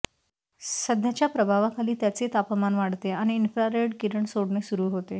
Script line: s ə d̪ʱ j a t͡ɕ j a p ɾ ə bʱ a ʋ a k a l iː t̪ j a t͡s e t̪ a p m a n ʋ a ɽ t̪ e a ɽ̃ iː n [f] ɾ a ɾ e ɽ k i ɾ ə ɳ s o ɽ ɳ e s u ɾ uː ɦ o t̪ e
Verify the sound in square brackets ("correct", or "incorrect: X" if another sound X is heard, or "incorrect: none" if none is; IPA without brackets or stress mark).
correct